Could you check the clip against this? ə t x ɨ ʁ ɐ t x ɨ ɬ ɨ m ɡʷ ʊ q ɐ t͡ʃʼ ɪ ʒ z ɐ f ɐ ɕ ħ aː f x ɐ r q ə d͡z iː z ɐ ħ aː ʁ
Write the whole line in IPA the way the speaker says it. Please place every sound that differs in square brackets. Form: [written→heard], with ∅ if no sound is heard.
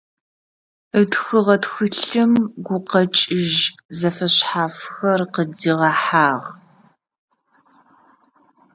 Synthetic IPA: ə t x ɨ ʁ ɐ t x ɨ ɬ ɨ m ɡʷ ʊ q ɐ t͡ʃʼ ɪ ʒ z ɐ f ɐ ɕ ħ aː f x ɐ r q ə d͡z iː [z→ʁ] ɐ ħ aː ʁ